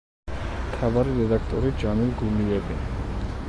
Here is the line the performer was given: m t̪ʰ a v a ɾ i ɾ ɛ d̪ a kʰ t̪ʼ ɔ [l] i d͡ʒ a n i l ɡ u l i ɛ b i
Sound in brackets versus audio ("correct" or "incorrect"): incorrect